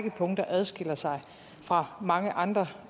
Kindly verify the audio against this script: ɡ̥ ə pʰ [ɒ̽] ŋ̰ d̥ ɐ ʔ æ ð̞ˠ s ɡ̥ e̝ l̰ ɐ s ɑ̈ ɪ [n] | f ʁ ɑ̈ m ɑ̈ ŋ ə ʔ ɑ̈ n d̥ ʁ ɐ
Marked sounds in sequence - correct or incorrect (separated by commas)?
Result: incorrect, incorrect